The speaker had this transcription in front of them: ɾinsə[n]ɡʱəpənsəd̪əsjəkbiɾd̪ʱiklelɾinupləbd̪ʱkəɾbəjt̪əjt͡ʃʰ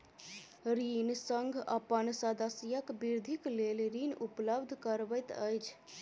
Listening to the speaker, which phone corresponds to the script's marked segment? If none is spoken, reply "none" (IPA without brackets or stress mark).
ŋ